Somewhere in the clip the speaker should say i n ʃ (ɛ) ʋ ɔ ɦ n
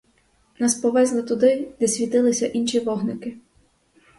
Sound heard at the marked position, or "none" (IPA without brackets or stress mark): i